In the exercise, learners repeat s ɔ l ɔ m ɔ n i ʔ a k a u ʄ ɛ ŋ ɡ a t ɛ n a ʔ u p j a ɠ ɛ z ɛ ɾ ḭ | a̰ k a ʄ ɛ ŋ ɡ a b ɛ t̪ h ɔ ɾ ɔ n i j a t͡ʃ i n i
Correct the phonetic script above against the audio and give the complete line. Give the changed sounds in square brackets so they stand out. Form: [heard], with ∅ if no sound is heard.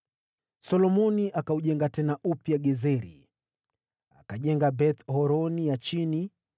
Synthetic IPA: s ɔ l ɔ m ɔ n i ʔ a k a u ʄ ɛ ŋ ɡ a t ɛ n a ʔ u p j a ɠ ɛ z ɛ ɾ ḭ | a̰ k a ʄ ɛ ŋ ɡ a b ɛ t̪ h ɔ ɾ ɔ n i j a t͡ʃ i n i